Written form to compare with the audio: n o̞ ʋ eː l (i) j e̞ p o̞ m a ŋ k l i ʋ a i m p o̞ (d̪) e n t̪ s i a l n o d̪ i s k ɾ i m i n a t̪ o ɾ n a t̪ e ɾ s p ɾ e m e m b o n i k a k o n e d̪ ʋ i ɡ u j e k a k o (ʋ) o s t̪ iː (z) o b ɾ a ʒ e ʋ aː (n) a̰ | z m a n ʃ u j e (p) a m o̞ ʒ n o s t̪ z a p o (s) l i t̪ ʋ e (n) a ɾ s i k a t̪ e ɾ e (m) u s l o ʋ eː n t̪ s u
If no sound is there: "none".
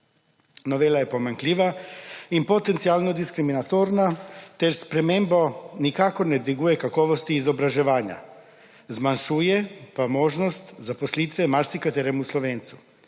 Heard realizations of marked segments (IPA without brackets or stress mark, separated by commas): a, t̪, ʋ, z, ɲ, p, s, m, m